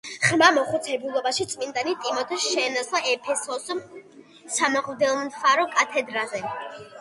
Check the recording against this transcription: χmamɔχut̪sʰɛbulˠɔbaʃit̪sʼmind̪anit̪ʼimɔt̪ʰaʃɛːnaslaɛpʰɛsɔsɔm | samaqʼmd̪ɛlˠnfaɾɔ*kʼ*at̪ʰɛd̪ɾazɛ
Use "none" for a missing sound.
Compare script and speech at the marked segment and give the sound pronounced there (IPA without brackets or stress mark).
kʼ